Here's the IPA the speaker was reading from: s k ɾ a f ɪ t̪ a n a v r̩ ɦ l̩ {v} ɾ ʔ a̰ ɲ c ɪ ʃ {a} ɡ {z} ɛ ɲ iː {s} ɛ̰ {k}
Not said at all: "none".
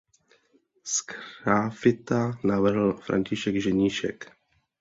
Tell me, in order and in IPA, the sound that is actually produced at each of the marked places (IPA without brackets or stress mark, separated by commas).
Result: f, ɛ, ʒ, ʃ, k